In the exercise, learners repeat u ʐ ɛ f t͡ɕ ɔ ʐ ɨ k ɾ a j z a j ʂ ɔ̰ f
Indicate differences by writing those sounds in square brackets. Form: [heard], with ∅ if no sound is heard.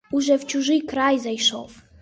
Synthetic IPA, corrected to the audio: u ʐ ɛ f t͡ɕ [u] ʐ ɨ k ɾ a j z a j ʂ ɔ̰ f